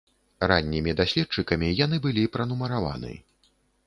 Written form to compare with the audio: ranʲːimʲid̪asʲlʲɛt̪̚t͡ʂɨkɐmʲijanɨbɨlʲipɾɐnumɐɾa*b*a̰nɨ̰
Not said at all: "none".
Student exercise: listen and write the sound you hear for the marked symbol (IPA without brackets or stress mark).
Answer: v